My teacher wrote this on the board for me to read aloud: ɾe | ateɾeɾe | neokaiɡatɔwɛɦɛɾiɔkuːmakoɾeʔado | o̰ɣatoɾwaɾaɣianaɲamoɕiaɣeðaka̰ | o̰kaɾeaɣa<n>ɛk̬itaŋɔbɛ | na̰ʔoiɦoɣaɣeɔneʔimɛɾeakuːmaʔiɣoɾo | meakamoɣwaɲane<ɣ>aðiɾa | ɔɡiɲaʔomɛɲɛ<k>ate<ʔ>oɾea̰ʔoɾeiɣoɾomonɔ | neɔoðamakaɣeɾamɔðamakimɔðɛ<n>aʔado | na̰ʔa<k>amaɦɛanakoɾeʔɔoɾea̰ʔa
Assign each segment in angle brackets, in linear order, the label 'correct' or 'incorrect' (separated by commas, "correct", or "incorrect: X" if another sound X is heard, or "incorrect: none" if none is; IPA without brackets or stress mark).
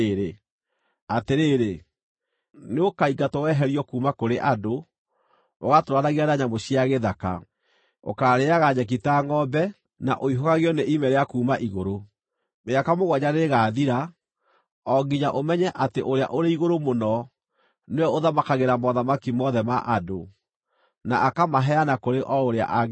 incorrect: ɲ, correct, incorrect: ʔ, correct, incorrect: m, correct